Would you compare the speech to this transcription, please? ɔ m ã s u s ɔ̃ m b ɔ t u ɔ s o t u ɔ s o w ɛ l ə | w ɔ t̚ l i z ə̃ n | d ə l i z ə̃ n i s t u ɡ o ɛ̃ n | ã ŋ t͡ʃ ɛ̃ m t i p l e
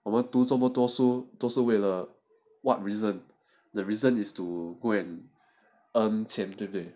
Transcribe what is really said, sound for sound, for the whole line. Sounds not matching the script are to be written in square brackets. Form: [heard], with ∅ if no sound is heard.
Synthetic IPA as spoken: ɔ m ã [t] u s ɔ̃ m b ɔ t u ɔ s o t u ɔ s o w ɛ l ə | w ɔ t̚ [ɹ] i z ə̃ n | d ə [ɹ] i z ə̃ n i s t u ɡ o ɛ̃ n | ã [n] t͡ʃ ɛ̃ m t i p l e